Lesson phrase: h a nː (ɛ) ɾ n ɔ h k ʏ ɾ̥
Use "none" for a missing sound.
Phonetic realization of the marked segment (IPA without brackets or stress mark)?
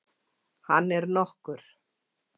ɛ